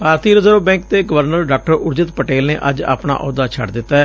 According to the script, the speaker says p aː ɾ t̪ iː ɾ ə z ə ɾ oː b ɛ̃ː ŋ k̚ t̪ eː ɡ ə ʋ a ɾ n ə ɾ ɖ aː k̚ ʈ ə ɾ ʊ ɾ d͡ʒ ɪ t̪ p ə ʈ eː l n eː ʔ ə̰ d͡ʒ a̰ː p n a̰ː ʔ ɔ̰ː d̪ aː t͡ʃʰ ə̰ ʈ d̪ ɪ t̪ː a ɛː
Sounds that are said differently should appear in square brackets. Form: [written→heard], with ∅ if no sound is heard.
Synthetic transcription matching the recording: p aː ɾ t̪ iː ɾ ə z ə ɾ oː b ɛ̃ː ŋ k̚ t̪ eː ɡ ə ʋ [a→ə] ɾ n ə ɾ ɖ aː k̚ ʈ ə ɾ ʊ ɾ d͡ʒ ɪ t̪ p ə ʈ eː l n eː ʔ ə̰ d͡ʒ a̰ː p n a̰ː ʔ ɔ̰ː d̪ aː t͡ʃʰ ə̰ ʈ d̪ ɪ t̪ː a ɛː